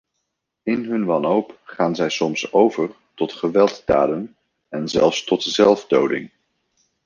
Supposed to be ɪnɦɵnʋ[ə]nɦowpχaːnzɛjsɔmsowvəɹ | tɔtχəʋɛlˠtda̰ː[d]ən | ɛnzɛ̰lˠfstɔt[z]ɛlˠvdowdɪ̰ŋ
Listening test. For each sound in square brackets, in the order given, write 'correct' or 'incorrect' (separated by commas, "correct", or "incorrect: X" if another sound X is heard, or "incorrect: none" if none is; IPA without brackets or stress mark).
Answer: incorrect: ɑ, correct, correct